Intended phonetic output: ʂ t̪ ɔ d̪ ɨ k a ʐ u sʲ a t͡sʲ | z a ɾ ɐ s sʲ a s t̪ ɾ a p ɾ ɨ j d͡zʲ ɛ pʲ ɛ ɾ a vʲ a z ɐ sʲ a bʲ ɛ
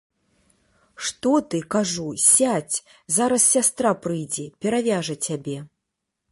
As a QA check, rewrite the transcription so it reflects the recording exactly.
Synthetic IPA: ʂ t̪ ɔ t̪ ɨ k a ʐ u sʲ a t͡sʲ | z a ɾ ɐ s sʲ a s t̪ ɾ a p ɾ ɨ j d͡zʲ ɛ pʲ ɛ ɾ a vʲ a ʐ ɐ t͡sʲ a bʲ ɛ